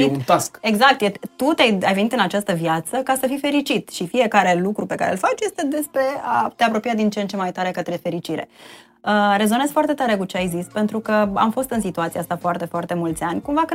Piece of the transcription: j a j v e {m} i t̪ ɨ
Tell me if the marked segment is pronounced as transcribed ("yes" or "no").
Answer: no